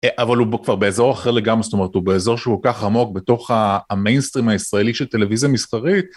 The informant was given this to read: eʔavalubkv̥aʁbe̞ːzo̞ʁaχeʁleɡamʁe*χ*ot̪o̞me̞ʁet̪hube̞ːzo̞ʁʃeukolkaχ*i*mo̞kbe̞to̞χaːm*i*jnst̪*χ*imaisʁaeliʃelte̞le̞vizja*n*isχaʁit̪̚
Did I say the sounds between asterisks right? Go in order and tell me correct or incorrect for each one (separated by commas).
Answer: incorrect, incorrect, incorrect, incorrect, incorrect